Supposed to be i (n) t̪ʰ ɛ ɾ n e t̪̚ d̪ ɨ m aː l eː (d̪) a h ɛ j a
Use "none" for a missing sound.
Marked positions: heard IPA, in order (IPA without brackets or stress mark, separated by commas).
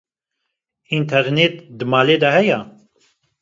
n, d̪